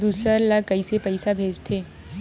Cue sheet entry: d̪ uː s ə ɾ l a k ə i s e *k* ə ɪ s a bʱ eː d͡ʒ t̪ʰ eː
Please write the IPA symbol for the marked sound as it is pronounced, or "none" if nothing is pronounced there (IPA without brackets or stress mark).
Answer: p